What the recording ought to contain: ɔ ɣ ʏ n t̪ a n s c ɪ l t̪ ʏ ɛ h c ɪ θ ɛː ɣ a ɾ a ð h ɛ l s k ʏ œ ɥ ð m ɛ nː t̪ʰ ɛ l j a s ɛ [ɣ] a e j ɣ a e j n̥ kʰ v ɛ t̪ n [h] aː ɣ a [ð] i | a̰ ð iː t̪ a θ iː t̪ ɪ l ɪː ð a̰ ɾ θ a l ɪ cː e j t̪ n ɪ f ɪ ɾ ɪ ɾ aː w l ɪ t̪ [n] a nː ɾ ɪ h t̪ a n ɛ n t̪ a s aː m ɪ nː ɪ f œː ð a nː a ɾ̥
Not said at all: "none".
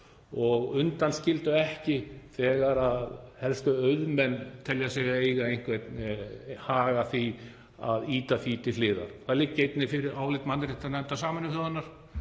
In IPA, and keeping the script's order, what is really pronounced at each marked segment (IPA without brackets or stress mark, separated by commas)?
ɣ, h, θ, m